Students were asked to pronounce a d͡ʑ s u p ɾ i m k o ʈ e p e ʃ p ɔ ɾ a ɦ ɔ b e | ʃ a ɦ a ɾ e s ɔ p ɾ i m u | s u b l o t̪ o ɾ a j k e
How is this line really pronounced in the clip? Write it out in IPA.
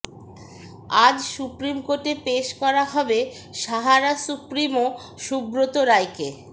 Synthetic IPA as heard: a d͡ʑ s u p ɾ i m k o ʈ e p e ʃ k ɔ ɾ a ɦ ɔ b e | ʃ a ɦ a ɾ a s u p ɾ i m o | ʃ u b ɾ o t̪ o ɾ a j k e